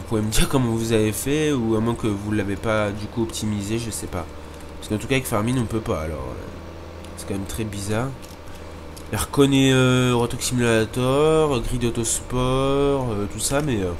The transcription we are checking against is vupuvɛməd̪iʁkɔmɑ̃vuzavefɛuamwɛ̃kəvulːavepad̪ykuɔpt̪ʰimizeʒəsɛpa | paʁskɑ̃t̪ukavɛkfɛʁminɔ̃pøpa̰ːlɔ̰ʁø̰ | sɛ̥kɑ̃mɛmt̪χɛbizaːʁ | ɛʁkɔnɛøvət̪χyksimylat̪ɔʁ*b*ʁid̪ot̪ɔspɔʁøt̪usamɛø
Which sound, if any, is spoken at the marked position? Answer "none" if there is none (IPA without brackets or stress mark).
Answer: ɡ